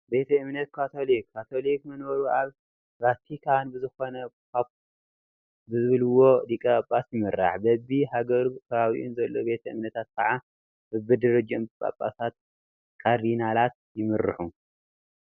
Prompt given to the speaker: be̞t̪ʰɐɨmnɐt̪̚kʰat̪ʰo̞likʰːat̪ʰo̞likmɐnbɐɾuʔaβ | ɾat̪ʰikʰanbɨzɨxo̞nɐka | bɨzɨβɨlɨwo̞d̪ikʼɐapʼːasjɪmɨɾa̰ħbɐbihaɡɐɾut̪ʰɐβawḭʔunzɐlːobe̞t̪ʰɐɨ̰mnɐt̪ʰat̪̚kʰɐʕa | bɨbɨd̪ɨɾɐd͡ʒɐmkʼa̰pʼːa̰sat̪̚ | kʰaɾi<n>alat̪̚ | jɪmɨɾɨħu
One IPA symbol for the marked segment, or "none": n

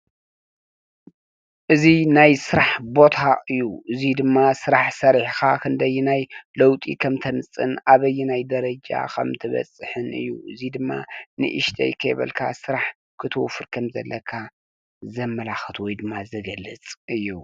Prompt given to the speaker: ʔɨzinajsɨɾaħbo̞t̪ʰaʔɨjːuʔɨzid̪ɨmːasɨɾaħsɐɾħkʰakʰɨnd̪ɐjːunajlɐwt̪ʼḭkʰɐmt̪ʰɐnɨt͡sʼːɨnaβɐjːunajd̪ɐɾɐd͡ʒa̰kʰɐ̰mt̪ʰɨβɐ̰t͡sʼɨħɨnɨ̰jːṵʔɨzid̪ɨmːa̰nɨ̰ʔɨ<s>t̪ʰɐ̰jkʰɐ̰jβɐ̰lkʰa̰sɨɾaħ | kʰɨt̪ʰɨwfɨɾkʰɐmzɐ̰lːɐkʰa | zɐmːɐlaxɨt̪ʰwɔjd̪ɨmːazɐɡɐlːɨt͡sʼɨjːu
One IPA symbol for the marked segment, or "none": ʃ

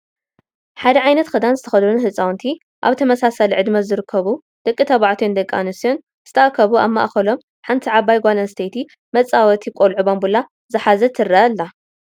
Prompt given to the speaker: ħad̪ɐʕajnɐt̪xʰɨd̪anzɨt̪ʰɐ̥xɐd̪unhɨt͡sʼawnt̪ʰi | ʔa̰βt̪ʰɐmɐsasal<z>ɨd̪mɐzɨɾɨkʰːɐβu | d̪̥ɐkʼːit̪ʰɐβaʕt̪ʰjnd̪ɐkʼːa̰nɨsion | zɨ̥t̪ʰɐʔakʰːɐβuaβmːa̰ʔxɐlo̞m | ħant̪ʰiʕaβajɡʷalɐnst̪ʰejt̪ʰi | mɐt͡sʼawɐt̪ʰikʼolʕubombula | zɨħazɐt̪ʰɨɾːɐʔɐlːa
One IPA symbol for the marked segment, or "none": ʕ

